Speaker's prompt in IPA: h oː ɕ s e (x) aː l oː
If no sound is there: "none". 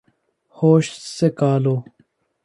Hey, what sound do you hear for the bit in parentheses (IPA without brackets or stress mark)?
k